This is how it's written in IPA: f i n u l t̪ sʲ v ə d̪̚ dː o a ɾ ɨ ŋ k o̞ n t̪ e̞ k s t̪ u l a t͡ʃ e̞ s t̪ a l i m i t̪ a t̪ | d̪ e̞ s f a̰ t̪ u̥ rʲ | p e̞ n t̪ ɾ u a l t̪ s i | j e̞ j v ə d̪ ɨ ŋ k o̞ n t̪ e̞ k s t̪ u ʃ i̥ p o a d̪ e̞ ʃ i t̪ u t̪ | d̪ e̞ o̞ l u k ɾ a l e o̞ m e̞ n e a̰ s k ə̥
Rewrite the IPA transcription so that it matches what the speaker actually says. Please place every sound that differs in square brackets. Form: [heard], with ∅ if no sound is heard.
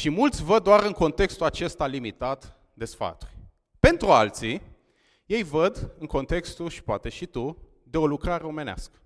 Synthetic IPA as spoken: [ʃ] i [m] u l t̪ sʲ v ə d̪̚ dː o a ɾ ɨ ŋ k o̞ n t̪ e̞ k s t̪ u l a t͡ʃ e̞ s t̪ a l i m i t̪ a t̪ | d̪ e̞ s f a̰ t̪ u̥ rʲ | p e̞ n t̪ ɾ u a l t̪ s i | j e̞ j v ə d̪ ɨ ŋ k o̞ n t̪ e̞ k s t̪ u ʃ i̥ p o a [t̪] e̞ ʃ i t̪ u [∅] | d̪ e̞ o̞ l u k ɾ a [ɾ] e o̞ m e̞ n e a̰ s k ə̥